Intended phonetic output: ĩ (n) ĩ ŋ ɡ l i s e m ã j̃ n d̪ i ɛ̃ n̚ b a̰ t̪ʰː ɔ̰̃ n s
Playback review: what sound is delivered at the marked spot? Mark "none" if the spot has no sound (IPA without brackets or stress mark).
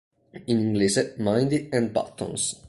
n